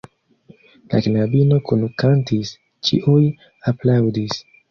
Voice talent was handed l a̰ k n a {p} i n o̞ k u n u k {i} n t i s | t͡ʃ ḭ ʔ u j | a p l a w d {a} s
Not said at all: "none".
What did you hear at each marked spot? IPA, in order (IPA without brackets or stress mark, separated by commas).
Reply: b, a, i